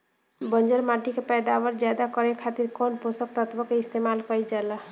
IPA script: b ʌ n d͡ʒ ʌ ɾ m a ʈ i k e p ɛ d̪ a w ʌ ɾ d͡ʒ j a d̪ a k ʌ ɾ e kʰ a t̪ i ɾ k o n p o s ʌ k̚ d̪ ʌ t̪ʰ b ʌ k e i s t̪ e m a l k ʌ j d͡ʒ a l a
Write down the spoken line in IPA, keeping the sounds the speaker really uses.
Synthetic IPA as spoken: b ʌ n d͡ʒ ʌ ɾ m a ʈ i k e p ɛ d̪ a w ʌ ɾ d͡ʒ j a d̪ a k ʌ ɾ e kʰ a t̪ i ɾ k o n p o s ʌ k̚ t̪ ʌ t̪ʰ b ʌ k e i s t̪ e m a l k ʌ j d͡ʒ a l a